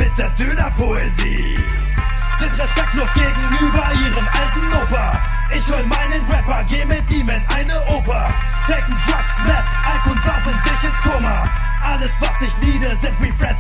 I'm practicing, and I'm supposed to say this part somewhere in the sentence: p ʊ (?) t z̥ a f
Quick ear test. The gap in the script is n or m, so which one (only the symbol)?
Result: n